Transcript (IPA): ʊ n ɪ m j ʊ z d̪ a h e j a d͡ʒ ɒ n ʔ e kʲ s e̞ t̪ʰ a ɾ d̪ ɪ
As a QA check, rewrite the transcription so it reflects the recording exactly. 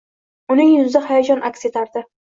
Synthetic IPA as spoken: ʊ n ɪ ŋ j ʊ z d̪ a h a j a d͡ʒ ɒ n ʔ a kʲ s e̞ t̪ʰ a ɾ d̪ ɪ